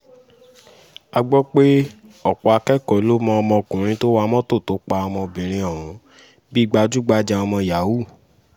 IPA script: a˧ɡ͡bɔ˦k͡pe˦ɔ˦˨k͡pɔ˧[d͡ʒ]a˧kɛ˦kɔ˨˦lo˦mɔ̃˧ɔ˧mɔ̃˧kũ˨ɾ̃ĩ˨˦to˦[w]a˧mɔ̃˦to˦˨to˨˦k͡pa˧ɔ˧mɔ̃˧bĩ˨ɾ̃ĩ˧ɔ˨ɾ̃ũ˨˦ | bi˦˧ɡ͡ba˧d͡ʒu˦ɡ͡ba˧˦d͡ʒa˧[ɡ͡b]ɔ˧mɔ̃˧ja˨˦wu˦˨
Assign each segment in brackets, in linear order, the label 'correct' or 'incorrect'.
incorrect: none, correct, incorrect: none

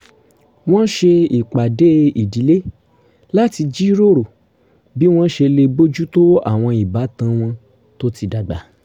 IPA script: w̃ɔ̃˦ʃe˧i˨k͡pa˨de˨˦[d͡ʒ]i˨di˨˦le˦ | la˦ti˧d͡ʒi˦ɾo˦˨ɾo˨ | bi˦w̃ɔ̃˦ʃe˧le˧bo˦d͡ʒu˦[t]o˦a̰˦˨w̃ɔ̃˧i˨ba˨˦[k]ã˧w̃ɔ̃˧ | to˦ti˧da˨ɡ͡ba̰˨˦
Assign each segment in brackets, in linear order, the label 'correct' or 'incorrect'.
incorrect: none, correct, incorrect: t

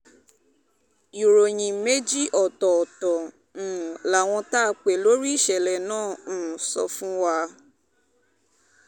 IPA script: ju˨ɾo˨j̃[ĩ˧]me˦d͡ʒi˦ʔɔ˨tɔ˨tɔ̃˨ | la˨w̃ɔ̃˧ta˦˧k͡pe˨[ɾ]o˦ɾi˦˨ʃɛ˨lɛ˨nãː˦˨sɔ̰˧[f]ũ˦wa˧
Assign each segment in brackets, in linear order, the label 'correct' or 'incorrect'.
correct, incorrect: l, correct

